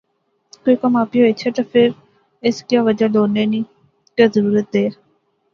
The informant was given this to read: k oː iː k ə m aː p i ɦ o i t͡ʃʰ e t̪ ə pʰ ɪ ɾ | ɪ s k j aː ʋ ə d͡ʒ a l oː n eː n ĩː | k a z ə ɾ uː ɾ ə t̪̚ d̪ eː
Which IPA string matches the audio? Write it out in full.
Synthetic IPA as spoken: k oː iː k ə m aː p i ɦ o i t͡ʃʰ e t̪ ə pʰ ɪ ɾ | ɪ s k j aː ʋ ə d͡ʒ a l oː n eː n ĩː | k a z ə ɾ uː ɾ ə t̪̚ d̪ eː

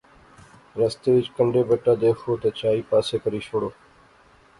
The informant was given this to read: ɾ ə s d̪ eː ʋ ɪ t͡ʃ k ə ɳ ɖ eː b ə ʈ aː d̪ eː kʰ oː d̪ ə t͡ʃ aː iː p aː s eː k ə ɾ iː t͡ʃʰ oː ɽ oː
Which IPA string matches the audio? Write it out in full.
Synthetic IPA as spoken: ɾ ə s t̪ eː ʋ ɪ t͡ʃ k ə ɳ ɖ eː b ə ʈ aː d̪ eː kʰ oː t̪ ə t͡ʃ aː iː p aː s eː k ə ɾ iː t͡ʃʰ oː ɽ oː

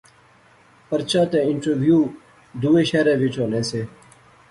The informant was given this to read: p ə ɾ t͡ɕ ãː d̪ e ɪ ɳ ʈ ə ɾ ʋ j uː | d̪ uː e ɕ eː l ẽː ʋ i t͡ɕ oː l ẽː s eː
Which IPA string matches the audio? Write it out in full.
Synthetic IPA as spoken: p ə ɾ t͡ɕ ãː t̪ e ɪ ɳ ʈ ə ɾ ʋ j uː | d̪ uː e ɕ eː ɾ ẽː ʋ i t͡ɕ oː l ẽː s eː

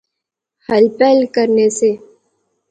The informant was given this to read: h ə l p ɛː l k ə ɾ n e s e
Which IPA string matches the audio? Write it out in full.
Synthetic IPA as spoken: h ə l p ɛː l k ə ɾ n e s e

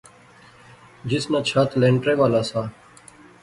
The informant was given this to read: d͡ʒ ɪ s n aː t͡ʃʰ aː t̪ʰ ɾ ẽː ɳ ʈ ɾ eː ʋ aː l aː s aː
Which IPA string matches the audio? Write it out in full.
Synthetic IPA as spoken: d͡ʒ ɪ s n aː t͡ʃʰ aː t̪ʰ l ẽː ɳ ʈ ɾ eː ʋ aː l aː s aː

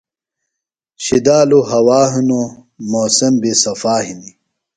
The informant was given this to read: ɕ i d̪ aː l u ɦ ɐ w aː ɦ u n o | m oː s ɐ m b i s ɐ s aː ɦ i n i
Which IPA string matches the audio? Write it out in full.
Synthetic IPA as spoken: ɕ i d̪ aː l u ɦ ɐ w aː ɦ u n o | m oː s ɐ m b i s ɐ f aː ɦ i n i

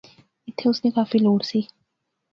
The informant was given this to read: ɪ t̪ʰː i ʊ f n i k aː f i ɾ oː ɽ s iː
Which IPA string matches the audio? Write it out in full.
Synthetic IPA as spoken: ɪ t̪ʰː e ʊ s n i k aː f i l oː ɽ s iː

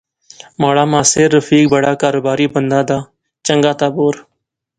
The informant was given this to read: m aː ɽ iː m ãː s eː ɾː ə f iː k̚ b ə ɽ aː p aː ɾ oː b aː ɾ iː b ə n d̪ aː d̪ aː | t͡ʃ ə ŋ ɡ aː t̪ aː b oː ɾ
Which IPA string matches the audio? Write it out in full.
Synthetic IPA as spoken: m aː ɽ aː m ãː s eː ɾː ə f iː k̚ b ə ɽ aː k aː ɾ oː b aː ɾ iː b ə n d̪ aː d̪ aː | t͡ʃ ə ŋ ɡ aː t̪ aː b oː ɾ

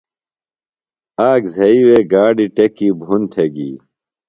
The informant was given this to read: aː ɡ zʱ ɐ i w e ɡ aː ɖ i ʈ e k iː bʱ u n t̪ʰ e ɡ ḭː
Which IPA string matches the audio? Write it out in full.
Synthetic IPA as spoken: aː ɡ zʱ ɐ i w e ɡ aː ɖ i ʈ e k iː bʱ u n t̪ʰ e ɡ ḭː

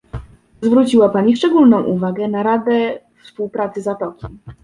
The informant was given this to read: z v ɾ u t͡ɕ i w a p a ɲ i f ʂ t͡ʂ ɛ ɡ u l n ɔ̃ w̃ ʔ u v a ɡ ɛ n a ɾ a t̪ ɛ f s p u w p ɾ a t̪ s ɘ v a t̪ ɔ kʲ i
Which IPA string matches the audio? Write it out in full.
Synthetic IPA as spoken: z v ɾ u t͡ɕ i w a p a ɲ i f ʂ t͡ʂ ɛ ɡ u l n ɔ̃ w̃ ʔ u v a ɡ ɛ n a ɾ a d̪ ɛ f s p u w p ɾ a t̪ s ɘ z a t̪ ɔ kʲ i

